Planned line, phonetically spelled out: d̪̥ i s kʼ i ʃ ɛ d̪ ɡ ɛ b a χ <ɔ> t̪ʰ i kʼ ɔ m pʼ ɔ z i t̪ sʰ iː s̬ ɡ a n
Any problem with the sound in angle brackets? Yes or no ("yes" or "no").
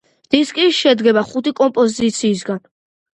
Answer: yes